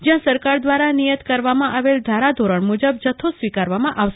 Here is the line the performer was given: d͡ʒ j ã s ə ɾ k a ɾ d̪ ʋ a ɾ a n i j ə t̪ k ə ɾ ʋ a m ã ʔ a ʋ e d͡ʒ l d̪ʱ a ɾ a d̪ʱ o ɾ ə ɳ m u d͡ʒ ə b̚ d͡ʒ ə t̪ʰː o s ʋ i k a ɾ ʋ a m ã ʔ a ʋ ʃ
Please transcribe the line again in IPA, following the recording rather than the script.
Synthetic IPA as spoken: d͡ʒ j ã s ə ɾ k a ɾ d̪ ʋ a ɾ a n i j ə t̪ k ə ɾ ʋ a m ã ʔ a ʋ e l d̪ʱ a ɾ a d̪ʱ o ɾ ə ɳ m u d͡ʒ ə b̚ d͡ʒ ə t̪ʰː o s ʋ i k a ɾ ʋ a m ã ʔ a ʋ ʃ